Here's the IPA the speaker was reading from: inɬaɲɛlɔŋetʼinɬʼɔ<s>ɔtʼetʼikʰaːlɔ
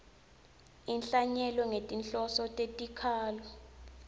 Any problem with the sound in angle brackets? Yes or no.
no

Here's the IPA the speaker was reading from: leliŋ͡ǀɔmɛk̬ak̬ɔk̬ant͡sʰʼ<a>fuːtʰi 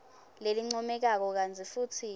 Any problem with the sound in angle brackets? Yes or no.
yes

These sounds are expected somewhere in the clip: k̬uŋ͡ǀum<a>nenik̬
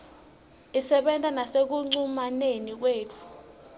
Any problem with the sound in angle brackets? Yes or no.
no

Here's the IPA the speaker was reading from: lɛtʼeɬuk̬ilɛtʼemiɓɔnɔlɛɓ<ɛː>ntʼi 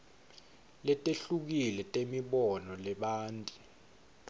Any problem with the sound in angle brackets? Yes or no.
yes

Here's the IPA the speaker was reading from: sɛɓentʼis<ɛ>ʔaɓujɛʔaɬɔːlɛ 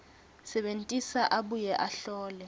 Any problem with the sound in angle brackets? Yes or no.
yes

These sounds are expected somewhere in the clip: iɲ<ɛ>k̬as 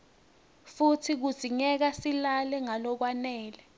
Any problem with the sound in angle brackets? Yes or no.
no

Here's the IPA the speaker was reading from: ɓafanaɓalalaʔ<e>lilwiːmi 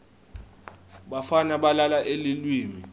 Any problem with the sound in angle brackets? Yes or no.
no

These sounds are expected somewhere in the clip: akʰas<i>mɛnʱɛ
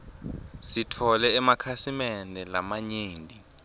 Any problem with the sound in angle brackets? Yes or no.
no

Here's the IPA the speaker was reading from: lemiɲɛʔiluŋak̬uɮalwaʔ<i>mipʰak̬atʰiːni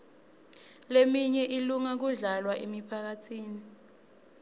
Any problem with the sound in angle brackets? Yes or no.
yes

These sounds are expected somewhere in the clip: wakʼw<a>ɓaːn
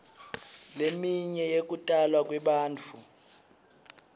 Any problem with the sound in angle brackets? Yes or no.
yes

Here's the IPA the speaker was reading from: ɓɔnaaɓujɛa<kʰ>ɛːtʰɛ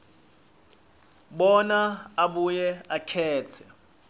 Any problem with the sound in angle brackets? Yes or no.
no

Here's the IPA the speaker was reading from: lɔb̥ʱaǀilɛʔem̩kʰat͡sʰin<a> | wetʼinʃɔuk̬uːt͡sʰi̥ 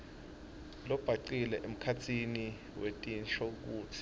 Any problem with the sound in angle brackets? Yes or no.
yes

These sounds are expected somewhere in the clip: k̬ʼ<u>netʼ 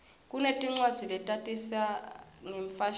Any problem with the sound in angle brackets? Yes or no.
no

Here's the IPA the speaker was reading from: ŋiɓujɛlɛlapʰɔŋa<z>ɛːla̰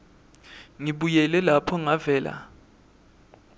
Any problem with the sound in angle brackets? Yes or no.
yes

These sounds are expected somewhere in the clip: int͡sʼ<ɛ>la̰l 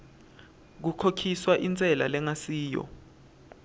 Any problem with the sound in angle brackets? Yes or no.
no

